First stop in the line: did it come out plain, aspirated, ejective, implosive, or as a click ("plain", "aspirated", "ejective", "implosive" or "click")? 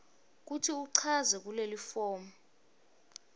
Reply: plain